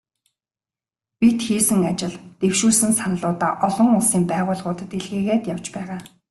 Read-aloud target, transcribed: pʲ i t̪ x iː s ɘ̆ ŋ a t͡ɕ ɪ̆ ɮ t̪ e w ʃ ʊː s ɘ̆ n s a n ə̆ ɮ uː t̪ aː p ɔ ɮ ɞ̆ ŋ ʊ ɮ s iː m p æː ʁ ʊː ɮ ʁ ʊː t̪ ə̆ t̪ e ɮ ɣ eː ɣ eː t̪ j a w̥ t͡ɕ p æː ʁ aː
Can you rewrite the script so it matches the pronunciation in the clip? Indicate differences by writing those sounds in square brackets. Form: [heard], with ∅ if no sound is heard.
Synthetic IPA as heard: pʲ i t̪ x iː s ɘ̆ ŋ a t͡ɕ ɪ̆ ɮ t̪ e w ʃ [uː] s ɘ̆ n s a n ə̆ ɮ [ʊː] t̪ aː [ʔ] ɔ ɮ ɞ̆ ŋ ʊ ɮ s iː m p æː ʁ ʊː ɮ ʁ ʊː t̪ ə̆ t̪ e ɮ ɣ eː ɣ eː t̪ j a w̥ t͡ɕ p æː ʁ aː

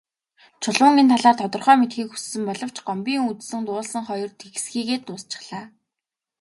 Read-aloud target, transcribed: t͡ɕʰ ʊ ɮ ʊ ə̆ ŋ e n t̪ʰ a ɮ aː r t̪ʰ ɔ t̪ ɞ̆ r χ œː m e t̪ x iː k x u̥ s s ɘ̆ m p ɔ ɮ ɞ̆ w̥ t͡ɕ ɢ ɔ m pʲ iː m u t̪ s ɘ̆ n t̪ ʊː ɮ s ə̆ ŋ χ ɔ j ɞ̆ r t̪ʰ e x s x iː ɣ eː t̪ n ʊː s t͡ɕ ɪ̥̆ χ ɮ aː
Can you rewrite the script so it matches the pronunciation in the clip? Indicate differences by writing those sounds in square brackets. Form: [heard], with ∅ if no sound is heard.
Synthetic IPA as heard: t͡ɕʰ ʊ ɮ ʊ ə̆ ŋ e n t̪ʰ a ɮ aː r t̪ʰ ɔ t̪ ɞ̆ r χ œː m e t̪ x iː k x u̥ s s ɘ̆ m p ɔ ɮ ɞ̆ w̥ t͡ɕ ɢ ɔ m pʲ iː [ŋ] u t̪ s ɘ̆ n t̪ ʊː ɮ s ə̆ ŋ χ ɔ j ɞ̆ r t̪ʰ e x s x iː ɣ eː t̪ n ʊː s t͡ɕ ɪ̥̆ χ ɮ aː

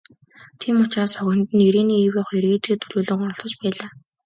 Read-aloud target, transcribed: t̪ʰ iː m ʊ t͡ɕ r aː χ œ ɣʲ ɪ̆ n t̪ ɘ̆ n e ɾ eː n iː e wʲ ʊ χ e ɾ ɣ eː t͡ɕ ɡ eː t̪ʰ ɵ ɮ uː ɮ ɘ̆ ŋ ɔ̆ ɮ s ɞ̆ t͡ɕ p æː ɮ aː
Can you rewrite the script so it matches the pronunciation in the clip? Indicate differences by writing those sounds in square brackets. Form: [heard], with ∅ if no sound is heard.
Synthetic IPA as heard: t̪ʰ iː m ʊ t͡ɕ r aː [s] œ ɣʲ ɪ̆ n t̪ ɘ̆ n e ɾ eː n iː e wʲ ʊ χ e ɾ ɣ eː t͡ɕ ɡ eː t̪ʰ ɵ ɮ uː ɮ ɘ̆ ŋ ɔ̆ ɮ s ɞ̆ t͡ɕ p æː ɮ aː

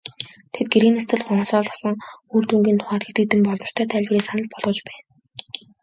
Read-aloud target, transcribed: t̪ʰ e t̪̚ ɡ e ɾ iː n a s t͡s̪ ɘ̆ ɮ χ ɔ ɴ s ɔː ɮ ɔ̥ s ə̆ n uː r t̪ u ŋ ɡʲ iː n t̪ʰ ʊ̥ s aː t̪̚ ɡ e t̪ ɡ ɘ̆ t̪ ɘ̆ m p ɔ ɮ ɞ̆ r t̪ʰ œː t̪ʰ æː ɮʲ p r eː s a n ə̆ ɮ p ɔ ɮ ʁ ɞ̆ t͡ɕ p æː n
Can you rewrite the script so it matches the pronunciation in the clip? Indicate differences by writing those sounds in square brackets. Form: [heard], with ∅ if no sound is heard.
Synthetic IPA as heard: t̪ʰ e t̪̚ ɡ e ɾ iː n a s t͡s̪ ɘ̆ ɮ χ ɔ ɴ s ɔː ɮ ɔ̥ s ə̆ [ŋ] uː r t̪ u ŋ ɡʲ iː n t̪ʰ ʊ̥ [χ] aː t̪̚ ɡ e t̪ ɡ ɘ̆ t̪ ɘ̆ m p ɔ ɮ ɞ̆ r t̪ʰ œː t̪ʰ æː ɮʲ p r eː s a n ə̆ ɮ p ɔ ɮ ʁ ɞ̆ t͡ɕ p æː n

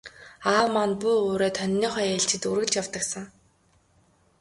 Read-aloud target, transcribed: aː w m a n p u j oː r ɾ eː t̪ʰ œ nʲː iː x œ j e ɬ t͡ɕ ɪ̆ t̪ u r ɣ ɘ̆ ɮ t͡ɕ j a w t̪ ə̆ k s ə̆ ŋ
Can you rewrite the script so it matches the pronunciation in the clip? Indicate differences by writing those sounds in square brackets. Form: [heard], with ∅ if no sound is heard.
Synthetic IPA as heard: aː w m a n p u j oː [∅] ɾ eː t̪ʰ œ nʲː iː [χ] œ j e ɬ t͡ɕ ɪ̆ t̪ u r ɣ ɘ̆ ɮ t͡ɕ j a w t̪ ə̆ k s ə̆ ŋ

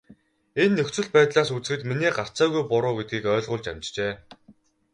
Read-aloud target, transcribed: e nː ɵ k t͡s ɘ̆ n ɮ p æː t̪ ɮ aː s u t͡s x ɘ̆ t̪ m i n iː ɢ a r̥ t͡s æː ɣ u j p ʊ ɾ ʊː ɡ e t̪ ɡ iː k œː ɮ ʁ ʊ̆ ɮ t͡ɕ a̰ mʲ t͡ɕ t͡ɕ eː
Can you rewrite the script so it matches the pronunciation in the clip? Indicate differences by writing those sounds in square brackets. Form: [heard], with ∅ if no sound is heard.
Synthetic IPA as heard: e nː ɵ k t͡s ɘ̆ [∅] ɮ p æː t̪ ɮ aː s u t͡s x ɘ̆ t̪ m i n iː ɢ a r̥ t͡s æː ɣ u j p ʊ ɾ ʊː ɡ e t̪ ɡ iː k œː ɮ ʁ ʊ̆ ɮ t͡ɕ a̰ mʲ t͡ɕ t͡ɕ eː

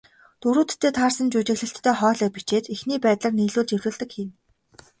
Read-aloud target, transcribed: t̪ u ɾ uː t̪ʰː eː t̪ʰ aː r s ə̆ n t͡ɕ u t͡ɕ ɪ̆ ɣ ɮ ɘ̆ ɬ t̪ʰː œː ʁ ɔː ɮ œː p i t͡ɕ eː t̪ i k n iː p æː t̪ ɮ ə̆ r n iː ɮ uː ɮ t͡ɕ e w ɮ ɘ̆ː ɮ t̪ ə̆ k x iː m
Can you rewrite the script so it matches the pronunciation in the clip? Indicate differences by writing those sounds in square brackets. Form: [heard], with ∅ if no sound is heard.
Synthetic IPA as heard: t̪ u ɾ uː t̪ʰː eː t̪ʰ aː r s ə̆ n t͡ɕ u t͡ɕ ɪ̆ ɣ ɮ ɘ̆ ɬ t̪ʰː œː [χ] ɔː ɮ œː p i t͡ɕ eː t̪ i [x] n iː p æː t̪ ɮ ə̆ r n iː ɮ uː ɮ t͡ɕ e w ɮ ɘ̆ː ɮ t̪ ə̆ k x iː m

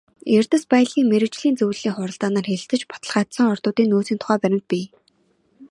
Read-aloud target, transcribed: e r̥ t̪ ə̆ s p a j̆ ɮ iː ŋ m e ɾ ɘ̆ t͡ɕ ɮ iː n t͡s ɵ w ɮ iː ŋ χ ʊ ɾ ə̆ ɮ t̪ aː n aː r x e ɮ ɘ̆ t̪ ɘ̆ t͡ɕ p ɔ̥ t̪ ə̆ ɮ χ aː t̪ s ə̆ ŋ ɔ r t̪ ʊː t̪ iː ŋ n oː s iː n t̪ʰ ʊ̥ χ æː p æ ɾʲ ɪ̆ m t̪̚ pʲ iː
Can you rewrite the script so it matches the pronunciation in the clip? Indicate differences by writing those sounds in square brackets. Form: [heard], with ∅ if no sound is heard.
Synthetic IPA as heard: e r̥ t̪ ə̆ s p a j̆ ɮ iː ŋ m e ɾ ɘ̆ t͡ɕ ɮ iː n t͡s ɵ w ɮ iː ŋ χ ʊ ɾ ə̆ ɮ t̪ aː n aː r x e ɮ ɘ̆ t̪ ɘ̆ t͡ɕ p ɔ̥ t̪ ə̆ ɮ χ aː t̪ s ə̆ ŋ ɔ r t̪ ʊː t̪ iː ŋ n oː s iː n t̪ʰ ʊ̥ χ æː p æ ɾʲ ɪ̆ m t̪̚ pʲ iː

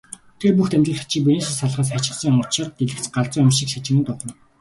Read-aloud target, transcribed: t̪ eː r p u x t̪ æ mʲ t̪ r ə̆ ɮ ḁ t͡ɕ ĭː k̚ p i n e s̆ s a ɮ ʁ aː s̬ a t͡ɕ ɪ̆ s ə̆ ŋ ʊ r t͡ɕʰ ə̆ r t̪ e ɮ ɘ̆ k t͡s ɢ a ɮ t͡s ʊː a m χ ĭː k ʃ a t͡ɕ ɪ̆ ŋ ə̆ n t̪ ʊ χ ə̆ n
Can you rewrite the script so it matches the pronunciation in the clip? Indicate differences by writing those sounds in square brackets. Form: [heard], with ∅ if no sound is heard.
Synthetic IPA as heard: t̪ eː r p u x t̪ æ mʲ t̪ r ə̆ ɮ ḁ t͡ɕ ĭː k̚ p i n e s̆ s a ɮ ʁ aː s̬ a t͡ɕ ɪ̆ s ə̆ ŋ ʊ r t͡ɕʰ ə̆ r t̪ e ɮ ɘ̆ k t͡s ɢ a ɮ t͡s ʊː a m [ʃ] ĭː k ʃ a t͡ɕ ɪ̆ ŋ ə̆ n t̪ ʊ χ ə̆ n

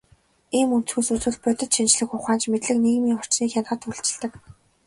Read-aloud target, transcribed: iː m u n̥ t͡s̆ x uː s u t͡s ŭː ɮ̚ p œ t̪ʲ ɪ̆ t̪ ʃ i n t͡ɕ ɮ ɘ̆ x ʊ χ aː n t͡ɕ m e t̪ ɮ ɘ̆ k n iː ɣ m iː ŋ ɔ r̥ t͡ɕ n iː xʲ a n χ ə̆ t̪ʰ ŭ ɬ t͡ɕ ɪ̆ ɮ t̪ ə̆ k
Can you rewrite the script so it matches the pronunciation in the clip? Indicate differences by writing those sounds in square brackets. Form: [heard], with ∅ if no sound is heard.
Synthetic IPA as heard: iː m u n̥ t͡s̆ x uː s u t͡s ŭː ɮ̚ p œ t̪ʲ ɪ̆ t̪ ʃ i n t͡ɕ ɮ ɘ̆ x ʊ χ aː n t͡ɕ m e t̪ ɮ ɘ̆ k n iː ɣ m iː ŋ ɔ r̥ t͡ɕ n iː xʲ a n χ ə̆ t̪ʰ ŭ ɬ t͡ɕ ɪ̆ ɮ t̪ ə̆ k

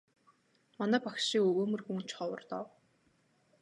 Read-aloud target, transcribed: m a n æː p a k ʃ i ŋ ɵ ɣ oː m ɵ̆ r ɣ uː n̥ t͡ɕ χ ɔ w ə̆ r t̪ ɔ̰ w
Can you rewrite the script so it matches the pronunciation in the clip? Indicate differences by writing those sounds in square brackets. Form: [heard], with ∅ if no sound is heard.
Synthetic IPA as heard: m a n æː p a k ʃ i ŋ ɵ ɣ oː m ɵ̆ r [x] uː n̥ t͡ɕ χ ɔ w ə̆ r t̪ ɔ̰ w

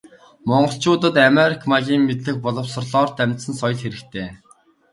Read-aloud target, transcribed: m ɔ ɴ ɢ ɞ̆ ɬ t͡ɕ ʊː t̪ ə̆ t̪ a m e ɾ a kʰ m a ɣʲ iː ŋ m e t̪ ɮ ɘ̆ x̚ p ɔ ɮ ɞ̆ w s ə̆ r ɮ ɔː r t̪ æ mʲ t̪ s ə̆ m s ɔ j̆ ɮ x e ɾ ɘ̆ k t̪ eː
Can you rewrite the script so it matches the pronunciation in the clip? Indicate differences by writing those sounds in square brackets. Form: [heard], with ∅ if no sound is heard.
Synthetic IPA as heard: m ɔ ɴ ɢ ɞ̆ ɬ t͡ɕ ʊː t̪ ə̆ t̪ a m e ɾ [i] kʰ m a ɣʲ iː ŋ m e t̪ ɮ ɘ̆ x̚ p ɔ ɮ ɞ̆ w s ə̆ r ɮ ɔː r t̪ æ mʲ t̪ s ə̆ [n] s ɔ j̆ ɮ x e ɾ ɘ̆ k [t̪ʰ] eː

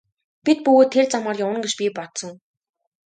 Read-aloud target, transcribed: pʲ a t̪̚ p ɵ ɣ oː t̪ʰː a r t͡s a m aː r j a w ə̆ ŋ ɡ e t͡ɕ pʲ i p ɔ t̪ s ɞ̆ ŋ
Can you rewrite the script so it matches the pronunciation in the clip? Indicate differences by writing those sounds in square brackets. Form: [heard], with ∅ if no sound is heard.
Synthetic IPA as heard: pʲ [i] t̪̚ p ɵ ɣ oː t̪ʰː [e] r t͡s a m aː r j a w ə̆ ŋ ɡ e t͡ɕ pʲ i p ɔ t̪ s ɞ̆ ŋ

